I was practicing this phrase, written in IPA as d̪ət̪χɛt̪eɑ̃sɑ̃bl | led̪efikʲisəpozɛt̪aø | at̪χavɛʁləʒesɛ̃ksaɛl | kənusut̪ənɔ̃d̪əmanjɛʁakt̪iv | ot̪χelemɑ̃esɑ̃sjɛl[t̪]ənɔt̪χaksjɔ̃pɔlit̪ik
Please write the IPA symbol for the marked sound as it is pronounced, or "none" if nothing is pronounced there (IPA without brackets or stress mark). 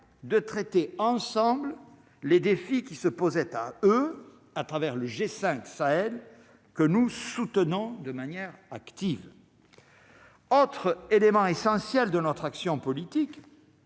d̪